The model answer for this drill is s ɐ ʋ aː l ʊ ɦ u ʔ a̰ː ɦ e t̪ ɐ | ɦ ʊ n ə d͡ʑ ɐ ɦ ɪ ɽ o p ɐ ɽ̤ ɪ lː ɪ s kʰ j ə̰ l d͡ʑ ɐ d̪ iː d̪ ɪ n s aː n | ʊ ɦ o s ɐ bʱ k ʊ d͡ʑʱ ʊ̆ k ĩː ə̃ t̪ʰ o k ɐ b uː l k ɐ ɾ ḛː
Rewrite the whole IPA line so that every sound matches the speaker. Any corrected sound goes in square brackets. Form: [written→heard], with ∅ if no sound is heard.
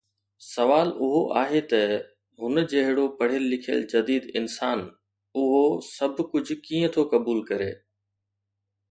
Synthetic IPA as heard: s ɐ ʋ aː l ʊ ɦ [u→o] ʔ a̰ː ɦ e t̪ ɐ | ɦ ʊ n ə d͡ʑ ɐ ɦ ɪ ɽ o p ɐ ɽ̤ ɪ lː ɪ [s→∅] kʰ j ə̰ l d͡ʑ ɐ d̪ iː d̪ ɪ n s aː n | ʊ ɦ o s ɐ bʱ k ʊ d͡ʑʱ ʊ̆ k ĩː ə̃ t̪ʰ o k ɐ b uː l k ɐ ɾ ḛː